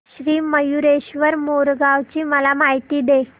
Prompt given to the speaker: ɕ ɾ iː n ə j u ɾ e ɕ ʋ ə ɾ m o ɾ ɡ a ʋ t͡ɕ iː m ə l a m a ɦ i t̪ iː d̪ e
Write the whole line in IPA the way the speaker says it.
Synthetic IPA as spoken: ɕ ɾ iː m ə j u ɾ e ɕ ʋ ə ɾ m o ɾ ɡ a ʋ t͡ɕ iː m ə l a m a ɦ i t̪ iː d̪ e